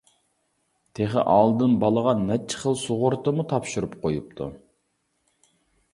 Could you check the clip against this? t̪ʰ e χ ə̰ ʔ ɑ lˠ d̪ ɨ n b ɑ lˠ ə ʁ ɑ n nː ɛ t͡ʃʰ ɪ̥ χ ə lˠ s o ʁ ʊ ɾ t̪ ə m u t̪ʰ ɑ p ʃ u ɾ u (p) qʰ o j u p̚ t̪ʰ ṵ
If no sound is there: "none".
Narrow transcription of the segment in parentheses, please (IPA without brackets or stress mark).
p